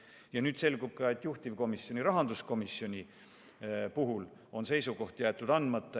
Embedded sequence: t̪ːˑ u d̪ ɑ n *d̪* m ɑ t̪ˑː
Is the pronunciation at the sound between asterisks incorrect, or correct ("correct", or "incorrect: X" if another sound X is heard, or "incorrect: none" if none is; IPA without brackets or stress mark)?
correct